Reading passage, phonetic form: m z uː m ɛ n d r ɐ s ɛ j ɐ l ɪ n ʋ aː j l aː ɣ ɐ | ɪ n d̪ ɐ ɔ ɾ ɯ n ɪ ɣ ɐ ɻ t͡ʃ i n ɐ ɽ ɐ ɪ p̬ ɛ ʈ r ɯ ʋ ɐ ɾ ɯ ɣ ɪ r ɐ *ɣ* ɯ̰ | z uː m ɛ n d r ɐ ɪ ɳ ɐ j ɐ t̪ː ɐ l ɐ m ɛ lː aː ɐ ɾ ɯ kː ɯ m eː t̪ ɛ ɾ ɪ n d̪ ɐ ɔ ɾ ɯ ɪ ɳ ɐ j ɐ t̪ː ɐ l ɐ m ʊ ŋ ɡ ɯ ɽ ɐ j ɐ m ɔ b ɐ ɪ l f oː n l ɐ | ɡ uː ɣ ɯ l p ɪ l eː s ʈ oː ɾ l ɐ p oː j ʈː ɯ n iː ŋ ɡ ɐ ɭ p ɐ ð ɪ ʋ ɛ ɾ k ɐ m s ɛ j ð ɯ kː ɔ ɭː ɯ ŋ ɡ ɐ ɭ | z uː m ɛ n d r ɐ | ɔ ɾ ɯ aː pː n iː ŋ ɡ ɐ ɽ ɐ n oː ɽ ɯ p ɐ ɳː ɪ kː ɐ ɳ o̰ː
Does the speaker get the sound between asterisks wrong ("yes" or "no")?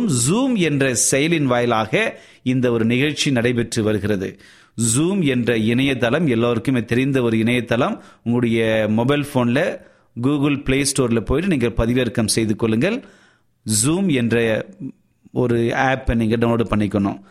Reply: yes